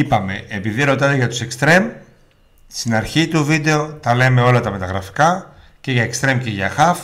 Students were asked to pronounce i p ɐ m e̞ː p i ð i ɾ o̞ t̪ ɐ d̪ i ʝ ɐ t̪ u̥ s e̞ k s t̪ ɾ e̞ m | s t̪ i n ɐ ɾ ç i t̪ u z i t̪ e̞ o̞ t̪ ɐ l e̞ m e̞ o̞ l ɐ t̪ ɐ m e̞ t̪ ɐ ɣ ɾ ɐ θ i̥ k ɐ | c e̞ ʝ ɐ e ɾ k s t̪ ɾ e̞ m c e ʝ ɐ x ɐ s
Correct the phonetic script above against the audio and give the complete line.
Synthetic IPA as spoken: i p ɐ m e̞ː p i ð i ɾ o̞ t̪ ɐ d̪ e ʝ ɐ t̪ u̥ s e̞ k s t̪ ɾ e̞ m | s t̪ i n ɐ ɾ ç i t̪ u v i d̪ e̞ o̞ t̪ ɐ l e̞ m e̞ o̞ l ɐ t̪ ɐ m e̞ t̪ ɐ ɣ ɾ ɐ f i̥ k ɐ | c e̞ ʝ ɐ e k s t̪ ɾ e̞ m c e ʝ ɐ x ɐ f